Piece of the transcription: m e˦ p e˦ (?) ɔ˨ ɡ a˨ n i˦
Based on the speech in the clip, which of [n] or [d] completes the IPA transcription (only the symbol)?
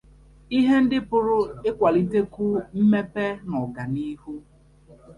n